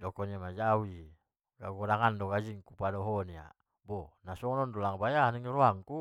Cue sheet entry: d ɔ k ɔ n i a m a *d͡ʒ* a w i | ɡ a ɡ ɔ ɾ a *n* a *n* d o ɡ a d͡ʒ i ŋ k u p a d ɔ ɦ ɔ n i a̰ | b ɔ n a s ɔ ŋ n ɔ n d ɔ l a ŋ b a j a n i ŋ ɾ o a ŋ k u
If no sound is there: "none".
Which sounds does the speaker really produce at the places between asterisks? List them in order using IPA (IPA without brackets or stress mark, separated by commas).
d͡ʒ, ŋ, n